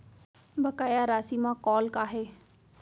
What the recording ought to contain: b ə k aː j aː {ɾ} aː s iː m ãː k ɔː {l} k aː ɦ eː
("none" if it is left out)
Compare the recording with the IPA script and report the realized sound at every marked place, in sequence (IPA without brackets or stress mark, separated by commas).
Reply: ɾ, l